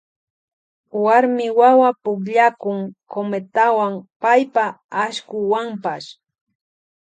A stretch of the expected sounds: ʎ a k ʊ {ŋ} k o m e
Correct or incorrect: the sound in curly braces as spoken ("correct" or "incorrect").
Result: correct